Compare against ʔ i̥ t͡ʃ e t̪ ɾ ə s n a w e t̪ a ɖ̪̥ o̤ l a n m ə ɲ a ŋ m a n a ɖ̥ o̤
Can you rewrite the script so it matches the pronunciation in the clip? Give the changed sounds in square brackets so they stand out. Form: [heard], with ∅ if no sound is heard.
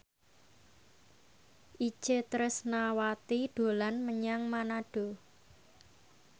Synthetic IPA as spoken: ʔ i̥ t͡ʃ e t̪ ɾ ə s n a w [a] t̪ [i] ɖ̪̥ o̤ l a n m ə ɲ a ŋ m a n a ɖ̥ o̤